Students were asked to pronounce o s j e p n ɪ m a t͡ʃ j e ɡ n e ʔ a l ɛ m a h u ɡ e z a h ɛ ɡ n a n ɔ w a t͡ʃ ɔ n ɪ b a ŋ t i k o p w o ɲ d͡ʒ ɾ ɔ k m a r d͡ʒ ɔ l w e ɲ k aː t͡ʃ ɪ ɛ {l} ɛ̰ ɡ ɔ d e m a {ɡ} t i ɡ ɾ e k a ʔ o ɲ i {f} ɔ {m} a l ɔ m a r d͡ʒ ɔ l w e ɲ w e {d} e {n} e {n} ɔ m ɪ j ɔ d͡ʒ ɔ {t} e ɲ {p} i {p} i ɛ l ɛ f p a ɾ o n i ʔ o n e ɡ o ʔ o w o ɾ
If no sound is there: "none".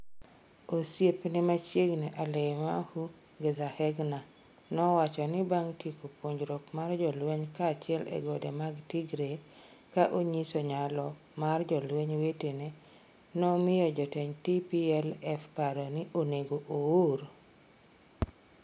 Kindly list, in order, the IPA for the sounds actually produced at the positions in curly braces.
l, ɡ, s, ɲ, t, n, n, t, t, p

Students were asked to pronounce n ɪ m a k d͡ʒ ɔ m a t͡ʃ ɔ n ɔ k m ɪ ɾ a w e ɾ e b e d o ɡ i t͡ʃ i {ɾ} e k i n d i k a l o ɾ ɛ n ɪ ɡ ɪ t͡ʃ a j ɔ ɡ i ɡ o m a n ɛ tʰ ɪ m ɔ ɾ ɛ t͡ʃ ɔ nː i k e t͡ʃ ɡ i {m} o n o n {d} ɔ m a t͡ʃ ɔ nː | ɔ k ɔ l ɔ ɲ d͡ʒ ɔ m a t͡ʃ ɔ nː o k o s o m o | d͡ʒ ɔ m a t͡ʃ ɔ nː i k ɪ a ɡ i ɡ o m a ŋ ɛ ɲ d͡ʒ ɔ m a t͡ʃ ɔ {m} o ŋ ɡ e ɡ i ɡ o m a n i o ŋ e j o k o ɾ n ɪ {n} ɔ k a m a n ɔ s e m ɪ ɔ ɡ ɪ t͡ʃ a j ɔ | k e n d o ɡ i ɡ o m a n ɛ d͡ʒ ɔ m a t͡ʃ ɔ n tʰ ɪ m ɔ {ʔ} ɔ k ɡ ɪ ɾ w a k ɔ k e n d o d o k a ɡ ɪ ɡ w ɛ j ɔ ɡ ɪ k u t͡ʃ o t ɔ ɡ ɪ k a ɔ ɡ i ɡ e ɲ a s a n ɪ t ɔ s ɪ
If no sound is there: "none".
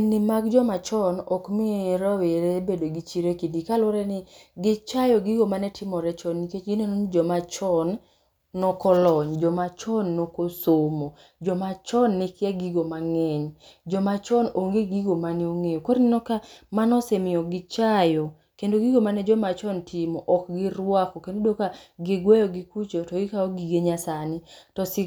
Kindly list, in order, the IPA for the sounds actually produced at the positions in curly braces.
ɾ, n, d͡ʒ, n, n, ʔ

